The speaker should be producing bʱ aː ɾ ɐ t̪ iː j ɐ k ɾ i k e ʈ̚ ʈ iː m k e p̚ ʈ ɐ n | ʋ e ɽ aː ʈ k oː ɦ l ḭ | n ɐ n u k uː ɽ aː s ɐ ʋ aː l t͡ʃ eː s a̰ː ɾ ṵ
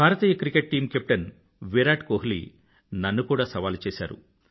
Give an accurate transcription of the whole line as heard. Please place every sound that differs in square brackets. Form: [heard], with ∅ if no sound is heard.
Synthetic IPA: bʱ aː ɾ ɐ t̪ iː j ɐ k ɾ i k e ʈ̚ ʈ iː m k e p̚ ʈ ɐ n | ʋ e [ɾ] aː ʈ k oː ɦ l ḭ | n ɐ [nː] u k uː ɽ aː s ɐ ʋ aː l t͡ʃ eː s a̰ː ɾ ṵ